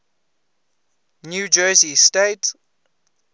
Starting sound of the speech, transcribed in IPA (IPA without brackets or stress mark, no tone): n